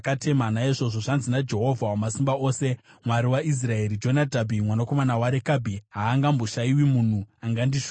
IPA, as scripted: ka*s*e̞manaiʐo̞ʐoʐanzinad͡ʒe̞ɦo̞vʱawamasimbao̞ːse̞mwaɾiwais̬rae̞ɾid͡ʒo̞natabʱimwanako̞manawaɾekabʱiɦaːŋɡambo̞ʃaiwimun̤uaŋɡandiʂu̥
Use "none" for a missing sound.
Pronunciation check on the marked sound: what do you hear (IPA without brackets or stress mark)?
t